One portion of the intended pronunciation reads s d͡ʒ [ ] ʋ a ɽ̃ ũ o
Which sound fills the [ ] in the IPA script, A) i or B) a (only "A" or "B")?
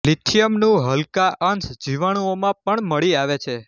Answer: A